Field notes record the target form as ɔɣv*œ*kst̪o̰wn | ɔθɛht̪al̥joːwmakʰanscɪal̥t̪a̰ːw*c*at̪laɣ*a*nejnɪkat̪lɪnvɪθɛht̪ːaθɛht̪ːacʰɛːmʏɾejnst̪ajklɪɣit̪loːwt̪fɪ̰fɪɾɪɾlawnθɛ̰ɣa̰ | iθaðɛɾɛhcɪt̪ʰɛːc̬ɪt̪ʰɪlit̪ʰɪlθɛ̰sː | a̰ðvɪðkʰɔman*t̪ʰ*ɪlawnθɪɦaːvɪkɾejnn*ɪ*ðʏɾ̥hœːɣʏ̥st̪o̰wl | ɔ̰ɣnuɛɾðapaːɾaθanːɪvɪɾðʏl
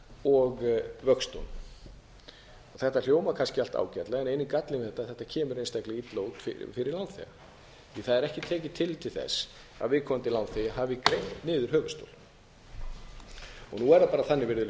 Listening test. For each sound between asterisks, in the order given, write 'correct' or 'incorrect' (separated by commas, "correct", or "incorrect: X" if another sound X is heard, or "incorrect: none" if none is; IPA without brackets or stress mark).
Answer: correct, correct, incorrect: ɛ, incorrect: t̪, incorrect: ɪː